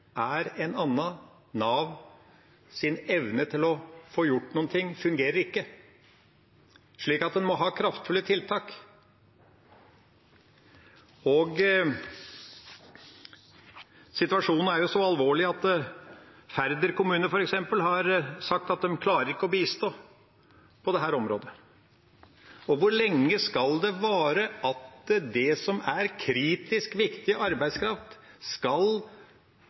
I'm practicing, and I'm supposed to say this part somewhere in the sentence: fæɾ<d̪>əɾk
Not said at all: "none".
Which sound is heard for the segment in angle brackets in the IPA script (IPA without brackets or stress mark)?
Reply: d̪